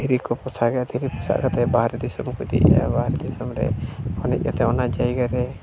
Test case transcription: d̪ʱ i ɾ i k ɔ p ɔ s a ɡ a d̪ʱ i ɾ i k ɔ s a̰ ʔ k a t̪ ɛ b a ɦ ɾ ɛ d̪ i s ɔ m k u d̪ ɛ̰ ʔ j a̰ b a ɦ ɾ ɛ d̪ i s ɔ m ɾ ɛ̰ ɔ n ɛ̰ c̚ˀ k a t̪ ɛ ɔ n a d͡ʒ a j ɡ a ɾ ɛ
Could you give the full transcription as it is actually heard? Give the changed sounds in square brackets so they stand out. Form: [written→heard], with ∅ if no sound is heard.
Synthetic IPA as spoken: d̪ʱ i ɾ i k ɔ p ɔ s a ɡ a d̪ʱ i ɾ i [k→p] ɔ s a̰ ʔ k a t̪ ɛ b a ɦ ɾ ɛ d̪ i s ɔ m k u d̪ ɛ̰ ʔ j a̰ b a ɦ ɾ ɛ d̪ i s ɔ m ɾ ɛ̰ ɔ n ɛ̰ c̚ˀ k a t̪ ɛ ɔ n a d͡ʒ a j ɡ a ɾ ɛ